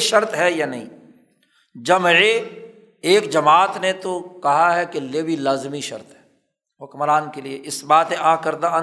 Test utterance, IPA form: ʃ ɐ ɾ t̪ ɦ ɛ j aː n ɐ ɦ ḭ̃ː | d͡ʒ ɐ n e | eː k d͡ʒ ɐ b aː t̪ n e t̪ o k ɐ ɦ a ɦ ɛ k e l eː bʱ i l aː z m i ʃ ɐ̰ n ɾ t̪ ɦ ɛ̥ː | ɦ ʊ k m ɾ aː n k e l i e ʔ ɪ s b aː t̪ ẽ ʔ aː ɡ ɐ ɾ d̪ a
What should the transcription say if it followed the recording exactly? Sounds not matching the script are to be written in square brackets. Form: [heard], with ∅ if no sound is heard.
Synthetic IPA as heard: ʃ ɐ ɾ t̪ ɦ ɛ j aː n ɐ ɦ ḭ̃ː | d͡ʒ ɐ [m] e | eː k d͡ʒ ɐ [m] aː t̪ n e t̪ o k ɐ ɦ a ɦ ɛ k e l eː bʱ i l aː z m i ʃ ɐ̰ [∅] ɾ t̪ ɦ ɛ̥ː | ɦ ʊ k m ɾ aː n k e l i e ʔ ɪ s b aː t̪ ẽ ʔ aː [k] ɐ ɾ d̪ a